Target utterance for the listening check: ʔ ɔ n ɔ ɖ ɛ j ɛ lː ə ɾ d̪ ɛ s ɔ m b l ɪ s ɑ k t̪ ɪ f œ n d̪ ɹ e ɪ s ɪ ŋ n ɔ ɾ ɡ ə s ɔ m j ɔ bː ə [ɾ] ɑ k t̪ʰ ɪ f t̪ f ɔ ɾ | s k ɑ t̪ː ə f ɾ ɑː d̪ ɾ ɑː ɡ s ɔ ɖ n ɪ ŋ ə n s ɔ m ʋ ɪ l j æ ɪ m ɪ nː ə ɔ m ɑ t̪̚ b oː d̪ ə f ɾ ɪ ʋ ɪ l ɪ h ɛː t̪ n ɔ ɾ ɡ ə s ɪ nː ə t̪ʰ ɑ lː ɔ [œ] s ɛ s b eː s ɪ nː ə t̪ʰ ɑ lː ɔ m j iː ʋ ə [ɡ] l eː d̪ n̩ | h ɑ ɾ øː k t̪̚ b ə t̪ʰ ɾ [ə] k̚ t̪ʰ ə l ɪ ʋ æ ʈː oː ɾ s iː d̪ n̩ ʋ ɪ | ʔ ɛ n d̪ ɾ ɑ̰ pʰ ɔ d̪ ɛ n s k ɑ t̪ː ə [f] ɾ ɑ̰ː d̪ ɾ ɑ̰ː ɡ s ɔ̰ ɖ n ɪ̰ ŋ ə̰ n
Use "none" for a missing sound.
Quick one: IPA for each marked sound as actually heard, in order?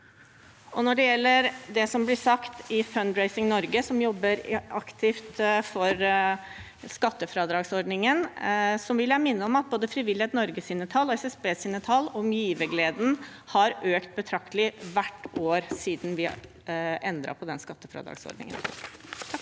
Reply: ɾ, ɛ, ɡ, ɑ, f

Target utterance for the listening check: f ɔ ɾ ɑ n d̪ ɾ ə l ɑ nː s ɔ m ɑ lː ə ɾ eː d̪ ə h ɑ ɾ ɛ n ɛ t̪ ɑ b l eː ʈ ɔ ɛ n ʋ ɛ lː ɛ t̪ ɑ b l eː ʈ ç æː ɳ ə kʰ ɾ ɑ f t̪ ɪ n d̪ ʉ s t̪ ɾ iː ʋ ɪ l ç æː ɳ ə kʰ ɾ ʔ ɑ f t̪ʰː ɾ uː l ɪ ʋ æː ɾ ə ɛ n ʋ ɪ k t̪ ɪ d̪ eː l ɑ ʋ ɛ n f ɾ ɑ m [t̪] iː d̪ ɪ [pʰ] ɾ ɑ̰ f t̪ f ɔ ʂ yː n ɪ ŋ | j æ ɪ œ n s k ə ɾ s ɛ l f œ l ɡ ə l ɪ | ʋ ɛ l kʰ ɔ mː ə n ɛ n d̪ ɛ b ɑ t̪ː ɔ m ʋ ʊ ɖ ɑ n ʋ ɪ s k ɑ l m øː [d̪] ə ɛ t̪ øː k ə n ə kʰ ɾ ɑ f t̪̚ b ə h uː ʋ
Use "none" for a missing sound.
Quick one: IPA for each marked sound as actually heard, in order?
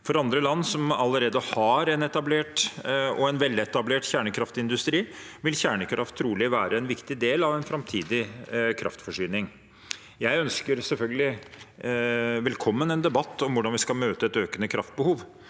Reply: t̪ʰ, kʰ, t̪

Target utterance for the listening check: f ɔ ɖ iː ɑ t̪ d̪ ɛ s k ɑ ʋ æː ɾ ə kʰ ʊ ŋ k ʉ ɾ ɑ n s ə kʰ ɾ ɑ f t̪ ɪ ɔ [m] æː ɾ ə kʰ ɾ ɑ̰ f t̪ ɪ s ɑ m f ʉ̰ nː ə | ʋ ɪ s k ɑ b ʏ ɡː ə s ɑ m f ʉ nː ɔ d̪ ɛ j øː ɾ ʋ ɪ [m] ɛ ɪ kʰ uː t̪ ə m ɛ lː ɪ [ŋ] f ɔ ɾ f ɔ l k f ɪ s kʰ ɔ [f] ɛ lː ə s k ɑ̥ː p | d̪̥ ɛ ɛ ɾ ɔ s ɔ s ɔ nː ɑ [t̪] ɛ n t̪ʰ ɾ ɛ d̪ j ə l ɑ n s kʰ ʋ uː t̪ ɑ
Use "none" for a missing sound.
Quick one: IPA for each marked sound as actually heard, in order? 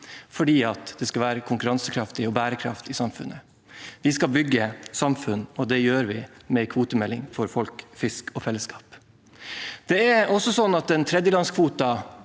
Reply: b, m, ŋ, f, t̪

